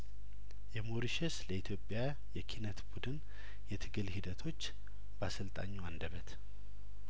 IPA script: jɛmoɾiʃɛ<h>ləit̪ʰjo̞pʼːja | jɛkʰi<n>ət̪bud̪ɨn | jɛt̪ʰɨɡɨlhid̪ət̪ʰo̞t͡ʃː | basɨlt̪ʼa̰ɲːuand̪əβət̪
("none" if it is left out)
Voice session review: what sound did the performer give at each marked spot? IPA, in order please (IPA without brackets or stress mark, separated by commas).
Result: s, n